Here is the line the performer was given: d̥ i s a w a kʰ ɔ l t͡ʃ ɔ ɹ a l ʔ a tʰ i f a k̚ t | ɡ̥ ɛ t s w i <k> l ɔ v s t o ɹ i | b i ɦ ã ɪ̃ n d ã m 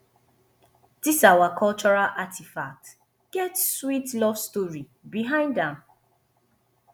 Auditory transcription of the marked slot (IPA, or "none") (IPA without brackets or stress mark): t